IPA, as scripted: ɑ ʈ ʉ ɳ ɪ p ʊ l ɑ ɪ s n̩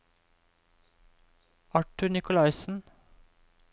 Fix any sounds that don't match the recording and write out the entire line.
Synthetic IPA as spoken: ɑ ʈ ʉ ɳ ɪ k ʊ l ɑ ɪ s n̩